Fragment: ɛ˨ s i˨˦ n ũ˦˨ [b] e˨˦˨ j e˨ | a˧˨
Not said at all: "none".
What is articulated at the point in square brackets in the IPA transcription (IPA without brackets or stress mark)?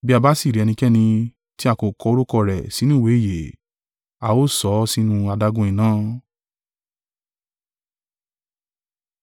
w